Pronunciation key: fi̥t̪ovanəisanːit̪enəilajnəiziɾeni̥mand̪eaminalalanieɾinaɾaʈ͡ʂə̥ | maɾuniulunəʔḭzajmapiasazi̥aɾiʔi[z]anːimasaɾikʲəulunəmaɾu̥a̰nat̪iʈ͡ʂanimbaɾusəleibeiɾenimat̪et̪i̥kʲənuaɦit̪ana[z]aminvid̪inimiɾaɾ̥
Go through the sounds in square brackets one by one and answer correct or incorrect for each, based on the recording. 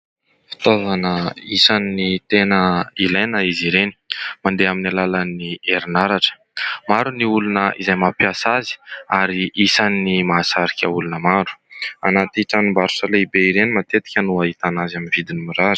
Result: incorrect: s, correct

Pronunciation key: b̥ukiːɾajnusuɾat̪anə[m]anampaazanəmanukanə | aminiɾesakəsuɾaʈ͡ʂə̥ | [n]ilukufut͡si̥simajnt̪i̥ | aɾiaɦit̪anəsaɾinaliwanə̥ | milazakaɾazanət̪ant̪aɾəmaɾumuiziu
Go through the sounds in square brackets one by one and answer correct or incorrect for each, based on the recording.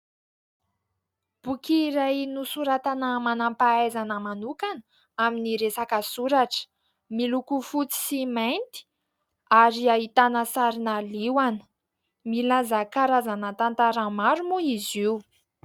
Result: correct, incorrect: m

